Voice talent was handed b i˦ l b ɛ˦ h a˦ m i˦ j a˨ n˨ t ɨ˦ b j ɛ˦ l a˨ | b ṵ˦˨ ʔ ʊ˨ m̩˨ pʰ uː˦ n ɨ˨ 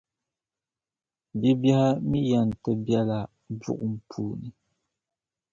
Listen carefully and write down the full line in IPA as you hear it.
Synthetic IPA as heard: b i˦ b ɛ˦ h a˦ m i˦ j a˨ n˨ t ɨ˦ b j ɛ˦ l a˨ | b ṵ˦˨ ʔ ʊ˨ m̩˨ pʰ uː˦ n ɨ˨